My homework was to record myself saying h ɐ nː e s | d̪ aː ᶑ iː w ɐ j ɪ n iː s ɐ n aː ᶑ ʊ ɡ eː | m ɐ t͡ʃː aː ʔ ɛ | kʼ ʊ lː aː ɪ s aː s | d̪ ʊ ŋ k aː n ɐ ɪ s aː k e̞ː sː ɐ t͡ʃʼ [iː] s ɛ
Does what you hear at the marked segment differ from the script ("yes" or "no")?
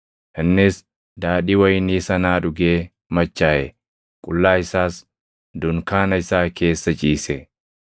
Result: no